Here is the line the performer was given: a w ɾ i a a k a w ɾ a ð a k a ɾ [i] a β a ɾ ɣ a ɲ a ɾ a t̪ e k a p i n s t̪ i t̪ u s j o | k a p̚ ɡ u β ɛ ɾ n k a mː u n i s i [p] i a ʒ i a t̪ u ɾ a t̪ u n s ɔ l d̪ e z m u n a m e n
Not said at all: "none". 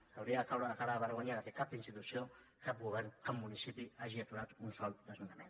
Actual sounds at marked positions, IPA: a, p

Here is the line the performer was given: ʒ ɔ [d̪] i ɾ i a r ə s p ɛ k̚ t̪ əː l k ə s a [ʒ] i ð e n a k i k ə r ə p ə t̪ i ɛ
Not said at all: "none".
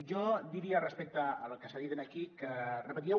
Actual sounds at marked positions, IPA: d̪, ð

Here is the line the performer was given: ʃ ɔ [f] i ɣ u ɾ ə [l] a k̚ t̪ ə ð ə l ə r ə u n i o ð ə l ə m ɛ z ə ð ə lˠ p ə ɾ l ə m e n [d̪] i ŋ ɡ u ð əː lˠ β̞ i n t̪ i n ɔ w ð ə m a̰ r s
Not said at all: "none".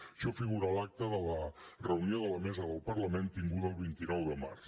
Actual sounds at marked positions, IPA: f, l, t̪

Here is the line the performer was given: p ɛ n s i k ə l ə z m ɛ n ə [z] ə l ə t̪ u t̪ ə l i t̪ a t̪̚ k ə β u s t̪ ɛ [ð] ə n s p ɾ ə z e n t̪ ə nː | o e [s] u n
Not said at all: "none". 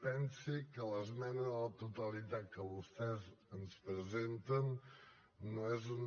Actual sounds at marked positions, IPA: ð, z, z

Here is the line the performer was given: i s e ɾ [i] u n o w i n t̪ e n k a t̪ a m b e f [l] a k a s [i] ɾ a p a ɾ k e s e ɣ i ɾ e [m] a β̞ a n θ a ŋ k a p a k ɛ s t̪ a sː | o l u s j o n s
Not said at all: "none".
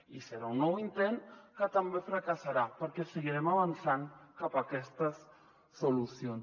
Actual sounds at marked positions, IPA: a, ɾ, a, m

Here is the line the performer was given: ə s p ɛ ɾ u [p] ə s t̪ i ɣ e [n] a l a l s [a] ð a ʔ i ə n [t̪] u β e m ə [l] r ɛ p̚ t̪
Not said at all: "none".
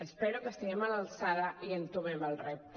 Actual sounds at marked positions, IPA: k, m, a, t̪, l

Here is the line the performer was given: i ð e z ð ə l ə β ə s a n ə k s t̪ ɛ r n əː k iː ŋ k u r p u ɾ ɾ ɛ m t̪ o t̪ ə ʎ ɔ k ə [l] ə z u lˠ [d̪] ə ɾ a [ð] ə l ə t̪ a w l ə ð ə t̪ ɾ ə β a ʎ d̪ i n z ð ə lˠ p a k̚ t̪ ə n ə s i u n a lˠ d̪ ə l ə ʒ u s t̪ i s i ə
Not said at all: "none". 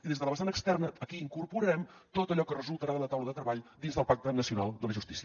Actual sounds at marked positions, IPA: r, t̪, ð

